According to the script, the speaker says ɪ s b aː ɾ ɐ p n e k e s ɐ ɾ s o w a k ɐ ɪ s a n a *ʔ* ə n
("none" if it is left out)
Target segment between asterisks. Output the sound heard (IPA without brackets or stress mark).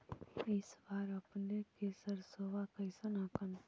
k